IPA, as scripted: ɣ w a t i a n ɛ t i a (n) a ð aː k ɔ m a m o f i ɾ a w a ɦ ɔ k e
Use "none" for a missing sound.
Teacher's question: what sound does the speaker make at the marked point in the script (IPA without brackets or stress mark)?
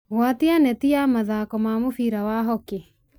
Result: m